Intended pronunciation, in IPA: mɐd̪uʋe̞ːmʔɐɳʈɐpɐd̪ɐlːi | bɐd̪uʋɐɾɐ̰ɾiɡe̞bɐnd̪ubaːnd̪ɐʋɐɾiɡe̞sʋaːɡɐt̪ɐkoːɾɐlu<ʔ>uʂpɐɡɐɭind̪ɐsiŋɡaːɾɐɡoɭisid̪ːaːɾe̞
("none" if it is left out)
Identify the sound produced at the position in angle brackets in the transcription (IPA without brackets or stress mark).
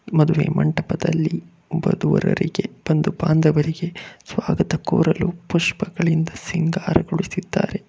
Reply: p